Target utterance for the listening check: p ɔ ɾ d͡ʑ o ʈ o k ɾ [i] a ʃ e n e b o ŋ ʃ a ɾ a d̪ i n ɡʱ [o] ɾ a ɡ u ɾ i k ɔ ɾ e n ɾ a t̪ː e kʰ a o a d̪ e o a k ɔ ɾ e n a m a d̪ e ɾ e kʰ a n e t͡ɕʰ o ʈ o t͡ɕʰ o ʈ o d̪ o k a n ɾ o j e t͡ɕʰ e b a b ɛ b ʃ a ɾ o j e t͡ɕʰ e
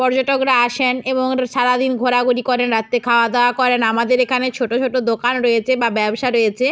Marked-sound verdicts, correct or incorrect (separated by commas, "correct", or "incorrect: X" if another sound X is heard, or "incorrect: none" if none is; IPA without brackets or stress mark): incorrect: a, correct